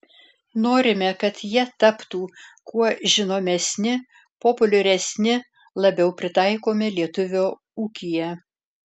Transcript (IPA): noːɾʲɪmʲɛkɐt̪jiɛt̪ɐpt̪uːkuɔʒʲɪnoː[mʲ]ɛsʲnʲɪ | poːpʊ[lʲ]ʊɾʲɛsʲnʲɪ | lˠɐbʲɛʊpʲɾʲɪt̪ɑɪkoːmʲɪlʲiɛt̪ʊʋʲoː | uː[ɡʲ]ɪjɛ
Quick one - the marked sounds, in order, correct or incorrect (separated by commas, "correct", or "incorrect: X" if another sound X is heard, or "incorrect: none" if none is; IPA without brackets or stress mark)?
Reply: correct, correct, incorrect: kʲ